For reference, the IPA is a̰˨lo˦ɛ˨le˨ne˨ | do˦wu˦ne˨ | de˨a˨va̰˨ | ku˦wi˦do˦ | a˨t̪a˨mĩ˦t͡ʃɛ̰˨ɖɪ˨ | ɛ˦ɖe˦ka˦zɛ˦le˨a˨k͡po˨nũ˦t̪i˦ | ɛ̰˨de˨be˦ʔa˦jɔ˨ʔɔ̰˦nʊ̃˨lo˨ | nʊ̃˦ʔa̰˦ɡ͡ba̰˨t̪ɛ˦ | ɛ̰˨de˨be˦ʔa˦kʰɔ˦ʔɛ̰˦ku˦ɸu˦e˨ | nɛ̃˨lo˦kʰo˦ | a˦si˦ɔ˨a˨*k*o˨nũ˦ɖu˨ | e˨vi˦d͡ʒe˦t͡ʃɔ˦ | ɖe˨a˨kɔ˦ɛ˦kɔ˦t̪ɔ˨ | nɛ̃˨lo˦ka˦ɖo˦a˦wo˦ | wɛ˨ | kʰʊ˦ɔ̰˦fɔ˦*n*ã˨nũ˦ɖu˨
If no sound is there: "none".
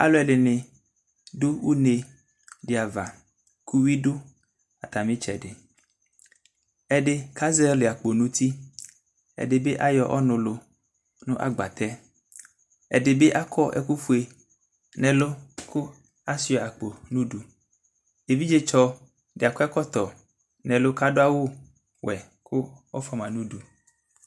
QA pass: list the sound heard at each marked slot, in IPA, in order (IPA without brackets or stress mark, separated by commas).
k͡p, m